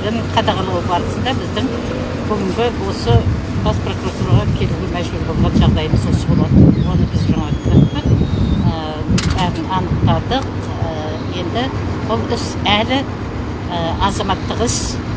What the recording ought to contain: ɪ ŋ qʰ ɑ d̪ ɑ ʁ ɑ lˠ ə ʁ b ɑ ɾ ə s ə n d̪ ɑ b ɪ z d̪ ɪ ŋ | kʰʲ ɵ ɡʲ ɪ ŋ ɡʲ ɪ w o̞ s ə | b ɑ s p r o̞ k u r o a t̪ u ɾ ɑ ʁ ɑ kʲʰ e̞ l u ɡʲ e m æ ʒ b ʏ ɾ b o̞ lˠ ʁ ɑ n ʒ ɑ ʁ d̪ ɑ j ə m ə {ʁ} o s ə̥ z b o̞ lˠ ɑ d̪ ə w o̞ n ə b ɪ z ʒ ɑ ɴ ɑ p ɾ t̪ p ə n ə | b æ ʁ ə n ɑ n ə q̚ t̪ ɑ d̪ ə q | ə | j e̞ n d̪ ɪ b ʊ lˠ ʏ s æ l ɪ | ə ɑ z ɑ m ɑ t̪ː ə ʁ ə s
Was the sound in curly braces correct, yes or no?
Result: no